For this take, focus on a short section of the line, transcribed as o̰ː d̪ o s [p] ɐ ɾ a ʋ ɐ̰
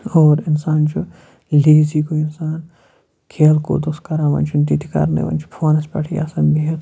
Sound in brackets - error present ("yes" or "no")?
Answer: yes